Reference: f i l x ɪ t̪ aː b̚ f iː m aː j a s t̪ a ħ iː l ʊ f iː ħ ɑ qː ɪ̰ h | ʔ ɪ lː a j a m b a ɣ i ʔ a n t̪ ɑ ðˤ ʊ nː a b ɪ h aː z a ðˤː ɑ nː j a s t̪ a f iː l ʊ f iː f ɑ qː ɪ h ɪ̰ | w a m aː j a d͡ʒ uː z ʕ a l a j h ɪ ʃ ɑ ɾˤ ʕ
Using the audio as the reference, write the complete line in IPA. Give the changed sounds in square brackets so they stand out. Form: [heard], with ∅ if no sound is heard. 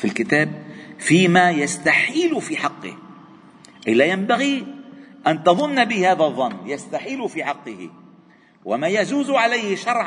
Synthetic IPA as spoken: f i l [k] ɪ t̪ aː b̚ f iː m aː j a s t̪ a ħ iː l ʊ f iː ħ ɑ qː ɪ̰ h | ʔ ɪ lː a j a m b a ɣ i ʔ a n t̪ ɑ ðˤ ʊ nː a b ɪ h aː [ð] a ðˤː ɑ nː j a s t̪ a [ħ] iː l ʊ f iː [ħ] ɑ qː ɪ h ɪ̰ | w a m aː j a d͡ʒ uː z ʕ a l a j h ɪ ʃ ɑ ɾˤ ʕ